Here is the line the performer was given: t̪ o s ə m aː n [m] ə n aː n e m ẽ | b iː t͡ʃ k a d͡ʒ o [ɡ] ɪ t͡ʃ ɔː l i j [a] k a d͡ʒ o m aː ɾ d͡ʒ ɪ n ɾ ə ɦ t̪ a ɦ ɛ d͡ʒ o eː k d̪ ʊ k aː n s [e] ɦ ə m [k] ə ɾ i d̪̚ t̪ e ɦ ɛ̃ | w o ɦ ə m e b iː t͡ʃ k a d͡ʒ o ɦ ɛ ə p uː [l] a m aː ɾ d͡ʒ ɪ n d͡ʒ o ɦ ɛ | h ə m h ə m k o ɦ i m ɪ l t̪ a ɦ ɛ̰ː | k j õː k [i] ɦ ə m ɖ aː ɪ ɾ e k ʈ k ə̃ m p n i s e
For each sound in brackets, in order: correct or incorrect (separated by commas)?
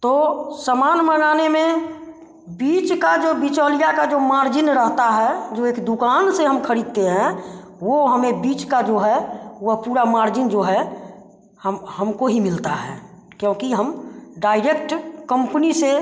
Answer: correct, incorrect, correct, correct, incorrect, incorrect, correct